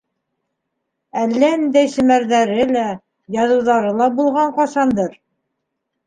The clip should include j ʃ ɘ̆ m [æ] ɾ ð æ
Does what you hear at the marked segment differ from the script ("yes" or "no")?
no